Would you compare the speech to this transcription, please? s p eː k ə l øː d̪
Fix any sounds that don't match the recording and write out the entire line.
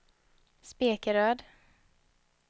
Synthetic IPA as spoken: s p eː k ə ɾ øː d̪